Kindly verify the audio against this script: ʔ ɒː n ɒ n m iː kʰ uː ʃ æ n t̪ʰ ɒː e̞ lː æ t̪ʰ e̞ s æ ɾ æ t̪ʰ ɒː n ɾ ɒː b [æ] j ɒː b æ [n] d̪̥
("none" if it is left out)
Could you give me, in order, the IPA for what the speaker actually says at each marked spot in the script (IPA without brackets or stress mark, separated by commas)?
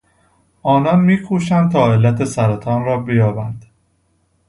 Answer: e, n